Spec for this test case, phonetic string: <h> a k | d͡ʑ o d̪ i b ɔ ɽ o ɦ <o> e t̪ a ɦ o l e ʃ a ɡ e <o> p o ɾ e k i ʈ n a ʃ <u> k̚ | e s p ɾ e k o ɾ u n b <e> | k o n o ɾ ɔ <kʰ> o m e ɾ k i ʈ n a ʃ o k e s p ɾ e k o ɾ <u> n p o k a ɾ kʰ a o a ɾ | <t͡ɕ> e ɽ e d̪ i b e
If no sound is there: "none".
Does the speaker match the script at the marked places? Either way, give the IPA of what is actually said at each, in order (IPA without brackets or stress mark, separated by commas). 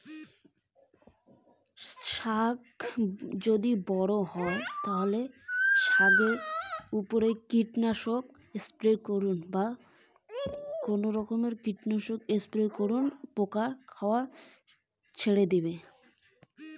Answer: ʃ, ɔ, u, o, a, k, u, t͡ɕʰ